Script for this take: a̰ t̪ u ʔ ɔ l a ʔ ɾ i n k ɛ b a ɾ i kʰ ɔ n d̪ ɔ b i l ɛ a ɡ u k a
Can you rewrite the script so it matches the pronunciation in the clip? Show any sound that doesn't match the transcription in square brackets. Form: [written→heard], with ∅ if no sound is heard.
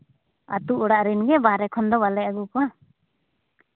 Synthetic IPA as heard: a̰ t̪ u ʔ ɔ [l→ɽ] a ʔ ɾ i n [k→ɡ] ɛ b a ɾ [i→ɛ] kʰ ɔ n d̪ ɔ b [i→a] l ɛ a ɡ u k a